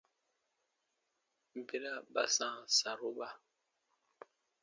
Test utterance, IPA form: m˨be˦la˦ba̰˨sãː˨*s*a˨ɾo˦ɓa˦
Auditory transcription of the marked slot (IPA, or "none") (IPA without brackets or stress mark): s